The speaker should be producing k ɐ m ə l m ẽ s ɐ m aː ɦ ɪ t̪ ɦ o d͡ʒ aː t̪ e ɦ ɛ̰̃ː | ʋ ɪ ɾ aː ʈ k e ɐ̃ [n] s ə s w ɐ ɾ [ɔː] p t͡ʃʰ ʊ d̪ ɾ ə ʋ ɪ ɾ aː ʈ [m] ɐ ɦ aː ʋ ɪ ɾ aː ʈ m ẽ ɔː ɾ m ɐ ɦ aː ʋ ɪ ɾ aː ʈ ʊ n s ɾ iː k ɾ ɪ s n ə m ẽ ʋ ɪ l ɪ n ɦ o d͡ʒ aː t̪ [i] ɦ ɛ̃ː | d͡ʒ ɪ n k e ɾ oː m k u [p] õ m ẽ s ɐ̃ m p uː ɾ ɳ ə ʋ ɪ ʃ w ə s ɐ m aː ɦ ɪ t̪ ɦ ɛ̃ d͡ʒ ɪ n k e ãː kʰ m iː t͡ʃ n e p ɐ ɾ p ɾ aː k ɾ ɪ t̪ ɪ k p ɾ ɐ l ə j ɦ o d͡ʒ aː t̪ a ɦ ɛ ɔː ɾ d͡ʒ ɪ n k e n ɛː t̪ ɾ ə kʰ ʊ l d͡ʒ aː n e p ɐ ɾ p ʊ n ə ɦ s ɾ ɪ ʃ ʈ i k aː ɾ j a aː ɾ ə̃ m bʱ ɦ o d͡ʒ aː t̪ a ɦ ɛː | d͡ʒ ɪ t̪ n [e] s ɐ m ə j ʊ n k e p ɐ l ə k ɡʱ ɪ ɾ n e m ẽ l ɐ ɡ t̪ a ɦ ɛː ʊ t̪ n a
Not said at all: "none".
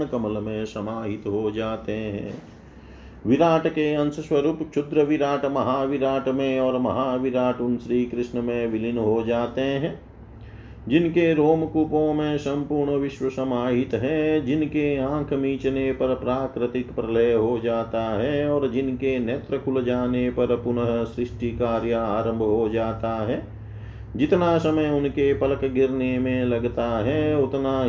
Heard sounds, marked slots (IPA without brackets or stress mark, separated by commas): n, uː, m, e, p, a